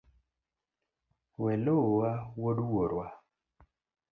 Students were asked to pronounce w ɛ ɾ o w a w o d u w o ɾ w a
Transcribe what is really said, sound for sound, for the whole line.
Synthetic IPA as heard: w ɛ l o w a w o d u w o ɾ w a